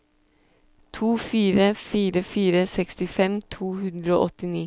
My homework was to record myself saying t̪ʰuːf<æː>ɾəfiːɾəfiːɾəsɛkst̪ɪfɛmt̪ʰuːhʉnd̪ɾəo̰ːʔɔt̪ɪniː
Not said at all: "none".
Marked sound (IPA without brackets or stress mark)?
iː